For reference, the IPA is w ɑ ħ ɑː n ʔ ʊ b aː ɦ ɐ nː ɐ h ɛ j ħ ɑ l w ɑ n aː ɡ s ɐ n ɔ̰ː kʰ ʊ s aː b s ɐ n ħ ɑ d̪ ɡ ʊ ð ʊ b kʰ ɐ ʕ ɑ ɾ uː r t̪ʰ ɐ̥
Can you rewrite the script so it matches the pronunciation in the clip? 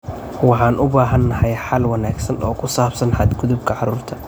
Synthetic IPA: w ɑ ħ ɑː n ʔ ʊ b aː ɦ ɐ nː ɐ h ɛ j ħ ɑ l w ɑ n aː ɡ s ɐ n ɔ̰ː kʰ ʊ s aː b s ɐ n ħ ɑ d̪ ɡ ʊ ð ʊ b kʰ ɐ ʕ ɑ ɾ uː r t̪ʰ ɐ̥